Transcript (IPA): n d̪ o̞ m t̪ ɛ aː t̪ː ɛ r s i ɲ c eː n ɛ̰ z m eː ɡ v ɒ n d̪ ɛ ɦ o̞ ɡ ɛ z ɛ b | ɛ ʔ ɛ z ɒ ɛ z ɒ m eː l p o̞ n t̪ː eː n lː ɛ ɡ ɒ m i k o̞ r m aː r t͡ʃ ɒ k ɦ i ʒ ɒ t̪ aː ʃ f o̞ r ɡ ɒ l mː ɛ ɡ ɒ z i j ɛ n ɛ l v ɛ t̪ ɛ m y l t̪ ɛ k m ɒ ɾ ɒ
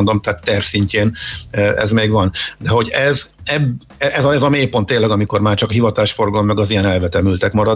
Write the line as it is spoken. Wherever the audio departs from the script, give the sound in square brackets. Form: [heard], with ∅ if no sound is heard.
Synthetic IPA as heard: n d̪ o̞ m t̪ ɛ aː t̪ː ɛ r s i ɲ c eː n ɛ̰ z m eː ɡ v ɒ n d̪ ɛ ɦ o̞ [ɟ] ɛ z ɛ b | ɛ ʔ ɛ z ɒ ɛ z ɒ m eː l p o̞ n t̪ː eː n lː ɛ ɡ ɒ m i k o̞ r m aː r t͡ʃ ɒ k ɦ i [v] ɒ t̪ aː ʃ f o̞ r ɡ ɒ l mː ɛ ɡ ɒ z i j ɛ n ɛ l v ɛ t̪ ɛ m y l t̪ ɛ k m ɒ ɾ ɒ